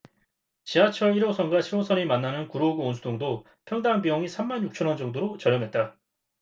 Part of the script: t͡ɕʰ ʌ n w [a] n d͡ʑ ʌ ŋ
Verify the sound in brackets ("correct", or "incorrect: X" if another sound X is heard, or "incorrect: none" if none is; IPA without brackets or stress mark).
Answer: incorrect: ʌ